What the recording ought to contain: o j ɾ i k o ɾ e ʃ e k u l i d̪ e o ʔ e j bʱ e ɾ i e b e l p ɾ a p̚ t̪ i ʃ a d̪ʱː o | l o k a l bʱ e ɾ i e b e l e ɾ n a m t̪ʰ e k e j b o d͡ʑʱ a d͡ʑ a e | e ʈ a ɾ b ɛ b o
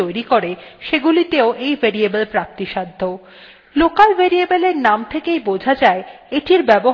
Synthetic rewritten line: o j ɾ i k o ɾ e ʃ e ɡ u l i t̪ e o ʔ e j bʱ e ɾ i e b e l p ɾ a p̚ t̪ i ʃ a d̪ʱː o | l o k a l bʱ e ɾ i e b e l e ɾ n a m t̪ʰ e k e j b o d͡ʑʱ a d͡ʑ a e | e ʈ i ɾ b ɛ b o

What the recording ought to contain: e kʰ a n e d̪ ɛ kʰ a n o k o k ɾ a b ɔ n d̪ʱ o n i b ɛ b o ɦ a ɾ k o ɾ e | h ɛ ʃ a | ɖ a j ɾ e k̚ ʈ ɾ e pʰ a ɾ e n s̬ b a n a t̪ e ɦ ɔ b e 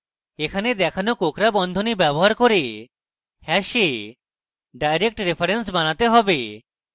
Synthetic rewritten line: e kʰ a n e d̪ ɛ kʰ a n o k o k ɾ a b ɔ n d̪ʱ o n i b ɛ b o ɦ a ɾ k o ɾ e | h ɛ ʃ e | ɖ a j ɾ e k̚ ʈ ɾ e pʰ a ɾ e n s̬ b a n a t̪ e ɦ ɔ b e

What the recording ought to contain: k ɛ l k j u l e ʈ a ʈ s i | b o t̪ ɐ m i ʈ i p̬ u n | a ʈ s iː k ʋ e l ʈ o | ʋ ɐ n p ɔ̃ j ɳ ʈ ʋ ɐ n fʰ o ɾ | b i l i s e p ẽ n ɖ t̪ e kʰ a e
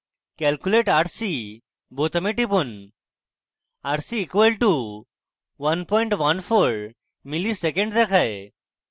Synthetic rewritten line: k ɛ l k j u l e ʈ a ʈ s i | b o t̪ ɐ m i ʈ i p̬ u n | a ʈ s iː k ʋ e l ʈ u | ʋ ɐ n p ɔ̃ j ɳ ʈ ʋ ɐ n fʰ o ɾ | m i l i s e k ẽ ɳ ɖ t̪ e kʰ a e

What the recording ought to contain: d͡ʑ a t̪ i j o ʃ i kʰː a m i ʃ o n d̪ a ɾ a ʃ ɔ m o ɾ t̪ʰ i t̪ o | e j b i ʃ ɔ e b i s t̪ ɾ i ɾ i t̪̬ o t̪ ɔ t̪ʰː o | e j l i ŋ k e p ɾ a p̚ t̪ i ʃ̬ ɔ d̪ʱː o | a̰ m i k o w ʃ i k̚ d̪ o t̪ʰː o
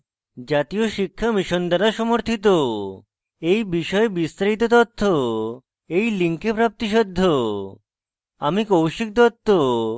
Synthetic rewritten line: d͡ʑ a t̪ i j o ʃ i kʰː a m i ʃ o n d̪ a ɾ a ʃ ɔ m o ɾ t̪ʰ i t̪ o | e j b i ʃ ɔ e b i s t̪ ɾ a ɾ i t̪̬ o t̪ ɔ t̪ʰː o | e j l i ŋ k e p ɾ a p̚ t̪ i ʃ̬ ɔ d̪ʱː o | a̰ m i k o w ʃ i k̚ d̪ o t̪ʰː o

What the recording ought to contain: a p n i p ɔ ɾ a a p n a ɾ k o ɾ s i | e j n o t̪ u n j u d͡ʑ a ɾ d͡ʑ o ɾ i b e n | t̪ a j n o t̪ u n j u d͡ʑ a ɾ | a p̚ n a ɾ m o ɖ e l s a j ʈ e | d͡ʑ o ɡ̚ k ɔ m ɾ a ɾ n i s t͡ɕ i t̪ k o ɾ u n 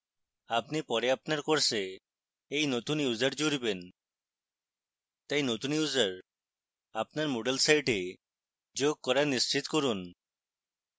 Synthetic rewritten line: a p n i p ɔ ɾ e a p n a ɾ k o ɾ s e | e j n o t̪ u n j u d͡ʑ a ɾ d͡ʑ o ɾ i b e n | t̪ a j n o t̪ u n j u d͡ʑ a ɾ | a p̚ n a ɾ m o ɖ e l s a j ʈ e | d͡ʑ o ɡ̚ k ɔ ɾ a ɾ n i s t͡ɕ i t̪ k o ɾ u n

